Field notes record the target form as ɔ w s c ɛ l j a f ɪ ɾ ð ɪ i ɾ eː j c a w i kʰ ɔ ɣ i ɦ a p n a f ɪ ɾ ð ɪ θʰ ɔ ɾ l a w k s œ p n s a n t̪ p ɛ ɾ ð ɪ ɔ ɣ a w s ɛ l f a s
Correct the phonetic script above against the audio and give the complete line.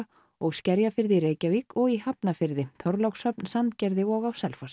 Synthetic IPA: ɔ ɣ s c ɛ ɾ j a f ɪ ɾ ð ɪ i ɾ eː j c a v i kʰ ɔ ɣ i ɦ a p n a f ɪ ɾ ð ɪ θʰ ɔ ɾ l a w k s œ p n s a n t̪ c ɛ ɾ ð ɪ ɔ ɣ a w s ɛ l f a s